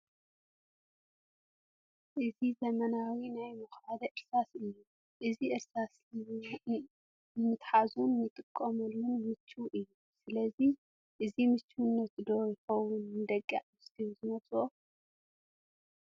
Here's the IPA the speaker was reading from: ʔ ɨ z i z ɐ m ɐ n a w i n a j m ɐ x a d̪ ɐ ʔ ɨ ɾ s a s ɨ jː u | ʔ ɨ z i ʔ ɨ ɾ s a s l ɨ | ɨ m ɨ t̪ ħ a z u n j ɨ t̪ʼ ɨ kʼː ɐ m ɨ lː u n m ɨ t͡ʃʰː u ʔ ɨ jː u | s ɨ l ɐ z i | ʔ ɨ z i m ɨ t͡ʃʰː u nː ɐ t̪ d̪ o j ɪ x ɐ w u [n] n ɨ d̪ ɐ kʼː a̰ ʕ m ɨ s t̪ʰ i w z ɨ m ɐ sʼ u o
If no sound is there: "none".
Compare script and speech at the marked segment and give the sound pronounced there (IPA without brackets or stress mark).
n